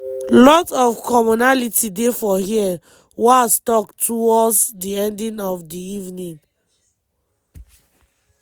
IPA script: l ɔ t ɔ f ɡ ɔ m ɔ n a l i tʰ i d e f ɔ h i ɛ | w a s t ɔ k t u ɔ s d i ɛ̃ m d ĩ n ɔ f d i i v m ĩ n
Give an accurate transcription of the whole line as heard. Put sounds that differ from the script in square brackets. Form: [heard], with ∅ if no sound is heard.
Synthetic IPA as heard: l ɔ t ɔ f [k] ɔ m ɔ n a l i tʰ i d e f ɔ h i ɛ | w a s t ɔ k t u ɔ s d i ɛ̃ [n] d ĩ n ɔ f d i i v [n] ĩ n

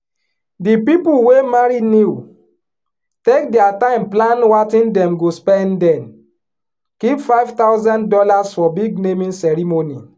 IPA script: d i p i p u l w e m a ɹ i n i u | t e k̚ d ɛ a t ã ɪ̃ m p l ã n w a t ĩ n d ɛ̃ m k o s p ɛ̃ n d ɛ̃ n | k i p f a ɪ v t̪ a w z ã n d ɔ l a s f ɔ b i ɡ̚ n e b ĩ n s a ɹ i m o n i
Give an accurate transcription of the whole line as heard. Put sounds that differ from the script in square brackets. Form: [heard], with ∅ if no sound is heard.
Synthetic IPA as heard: d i p i p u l w e m a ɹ i n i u | t e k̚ d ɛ a t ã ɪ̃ m p l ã n w a t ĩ n d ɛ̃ m [ɡ] o s p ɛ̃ n d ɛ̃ n | k i p f a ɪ v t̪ a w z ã n d ɔ l a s f ɔ b i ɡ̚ n e [m] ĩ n s [ɛ] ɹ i m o n i

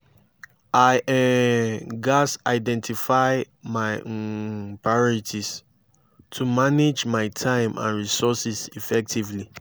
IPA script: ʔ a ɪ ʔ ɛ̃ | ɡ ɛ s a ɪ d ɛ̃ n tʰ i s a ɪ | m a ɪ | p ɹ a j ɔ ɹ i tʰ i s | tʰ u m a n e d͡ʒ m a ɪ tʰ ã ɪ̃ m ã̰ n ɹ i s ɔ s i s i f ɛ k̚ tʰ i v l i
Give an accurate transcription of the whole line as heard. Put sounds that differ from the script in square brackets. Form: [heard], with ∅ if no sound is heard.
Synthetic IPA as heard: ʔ a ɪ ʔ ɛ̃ | ɡ [a] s a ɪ d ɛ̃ n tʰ i [f] a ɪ | m a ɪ | p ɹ a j ɔ ɹ i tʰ i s | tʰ u m a n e d͡ʒ m a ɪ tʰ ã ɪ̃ m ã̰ n ɹ i s ɔ s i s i f ɛ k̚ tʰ i v l i

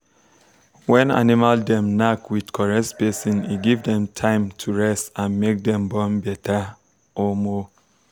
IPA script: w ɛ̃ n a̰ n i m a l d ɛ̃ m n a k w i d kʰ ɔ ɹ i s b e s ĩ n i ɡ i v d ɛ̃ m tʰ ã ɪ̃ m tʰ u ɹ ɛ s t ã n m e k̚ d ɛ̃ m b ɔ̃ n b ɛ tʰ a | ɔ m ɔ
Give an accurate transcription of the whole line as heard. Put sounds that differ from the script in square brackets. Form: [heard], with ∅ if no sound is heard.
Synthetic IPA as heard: w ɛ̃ n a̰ n i m a l d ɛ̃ m n a k w i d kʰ ɔ ɹ [ɛ] s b e s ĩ n i ɡ i v d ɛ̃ m tʰ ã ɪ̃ m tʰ u ɹ ɛ s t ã n m e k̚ d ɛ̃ m b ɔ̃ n b ɛ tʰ a | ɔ m ɔ

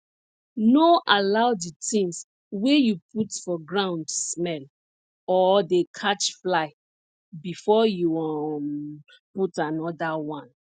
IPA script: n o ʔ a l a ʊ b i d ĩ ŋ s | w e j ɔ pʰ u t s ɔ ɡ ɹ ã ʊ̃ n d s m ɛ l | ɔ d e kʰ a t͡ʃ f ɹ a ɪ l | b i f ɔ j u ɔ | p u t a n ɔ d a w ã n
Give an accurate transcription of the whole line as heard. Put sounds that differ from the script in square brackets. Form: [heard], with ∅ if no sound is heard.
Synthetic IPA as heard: n o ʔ a l a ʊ [d] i [t] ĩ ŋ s | w e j [u] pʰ u t [f] ɔ ɡ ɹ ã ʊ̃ n d s m ɛ l | ɔ d e kʰ a t͡ʃ f [l] a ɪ [∅] | b i f ɔ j u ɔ | p u t a n ɔ d a w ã n

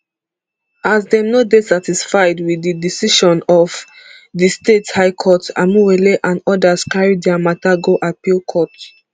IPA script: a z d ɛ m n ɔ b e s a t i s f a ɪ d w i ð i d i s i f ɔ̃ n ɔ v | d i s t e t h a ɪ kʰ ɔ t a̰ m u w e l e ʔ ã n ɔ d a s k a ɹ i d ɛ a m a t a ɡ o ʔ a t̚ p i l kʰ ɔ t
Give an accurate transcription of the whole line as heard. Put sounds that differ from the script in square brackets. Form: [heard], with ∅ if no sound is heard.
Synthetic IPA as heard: a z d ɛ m n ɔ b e s a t i s f a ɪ d w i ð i d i s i [ʃ] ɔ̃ n ɔ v | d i s t e t h a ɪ kʰ ɔ t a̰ m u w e l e ʔ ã n ɔ d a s k a ɹ i d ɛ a m a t a ɡ o ʔ a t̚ p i l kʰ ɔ t

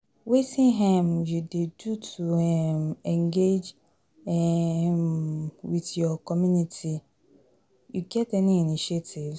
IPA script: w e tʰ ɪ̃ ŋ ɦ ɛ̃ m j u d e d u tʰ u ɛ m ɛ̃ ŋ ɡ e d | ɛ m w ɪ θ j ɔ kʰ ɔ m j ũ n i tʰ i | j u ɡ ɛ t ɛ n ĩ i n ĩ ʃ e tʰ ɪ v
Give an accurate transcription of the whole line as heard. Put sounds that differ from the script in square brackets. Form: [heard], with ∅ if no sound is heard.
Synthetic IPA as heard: w e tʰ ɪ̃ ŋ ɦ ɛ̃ m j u d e d u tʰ u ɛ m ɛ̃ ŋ ɡ e [d͡ʒ] | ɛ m w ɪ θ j ɔ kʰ ɔ m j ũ n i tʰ i | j u ɡ ɛ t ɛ n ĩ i n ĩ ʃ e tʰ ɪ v

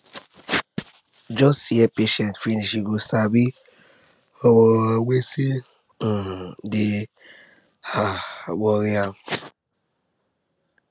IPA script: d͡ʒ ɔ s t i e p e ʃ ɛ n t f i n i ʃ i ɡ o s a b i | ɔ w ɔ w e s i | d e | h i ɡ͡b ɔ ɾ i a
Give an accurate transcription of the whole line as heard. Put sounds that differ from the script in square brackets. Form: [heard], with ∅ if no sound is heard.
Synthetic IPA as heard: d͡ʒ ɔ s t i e p e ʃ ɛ n t f i n i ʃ i ɡ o s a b i | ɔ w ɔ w e s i | d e | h [a] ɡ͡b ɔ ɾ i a

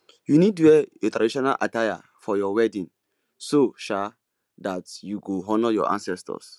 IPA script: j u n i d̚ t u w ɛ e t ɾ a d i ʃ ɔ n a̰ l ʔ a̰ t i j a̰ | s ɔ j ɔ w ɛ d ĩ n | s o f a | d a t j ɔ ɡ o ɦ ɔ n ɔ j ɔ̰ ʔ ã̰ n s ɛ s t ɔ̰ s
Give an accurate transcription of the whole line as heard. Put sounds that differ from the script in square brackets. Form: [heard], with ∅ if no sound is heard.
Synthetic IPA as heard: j u n i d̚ t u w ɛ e t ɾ a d i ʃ ɔ n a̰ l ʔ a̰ t [a] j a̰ | [f] ɔ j ɔ w ɛ d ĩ n | s o [ʃ] a | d a t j [u] ɡ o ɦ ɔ n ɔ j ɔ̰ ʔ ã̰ n s ɛ s t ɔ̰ s

